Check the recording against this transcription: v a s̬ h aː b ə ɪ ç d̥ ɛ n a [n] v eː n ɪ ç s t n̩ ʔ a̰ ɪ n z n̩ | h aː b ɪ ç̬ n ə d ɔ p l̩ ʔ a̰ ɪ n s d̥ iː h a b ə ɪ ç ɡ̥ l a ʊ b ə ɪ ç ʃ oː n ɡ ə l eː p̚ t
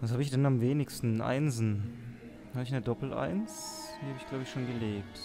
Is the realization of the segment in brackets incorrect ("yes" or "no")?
yes